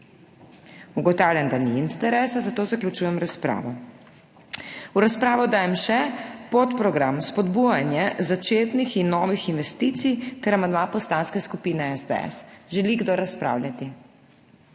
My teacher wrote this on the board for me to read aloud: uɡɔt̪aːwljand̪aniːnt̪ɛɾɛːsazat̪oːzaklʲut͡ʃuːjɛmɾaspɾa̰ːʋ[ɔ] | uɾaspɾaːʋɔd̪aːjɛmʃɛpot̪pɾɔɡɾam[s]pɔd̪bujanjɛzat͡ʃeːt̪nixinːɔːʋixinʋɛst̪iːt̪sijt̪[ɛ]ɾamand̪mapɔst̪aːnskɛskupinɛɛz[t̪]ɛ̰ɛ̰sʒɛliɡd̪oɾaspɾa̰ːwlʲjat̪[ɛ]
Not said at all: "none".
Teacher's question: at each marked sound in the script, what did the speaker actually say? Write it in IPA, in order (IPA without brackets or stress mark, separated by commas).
ɔ, s, ɛ, d̪, i